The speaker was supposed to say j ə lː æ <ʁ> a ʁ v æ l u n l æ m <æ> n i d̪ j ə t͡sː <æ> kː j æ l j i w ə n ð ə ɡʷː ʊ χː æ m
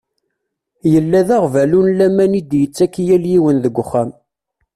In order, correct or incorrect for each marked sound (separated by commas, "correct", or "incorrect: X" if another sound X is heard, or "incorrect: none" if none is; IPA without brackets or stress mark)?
incorrect: ð, correct, correct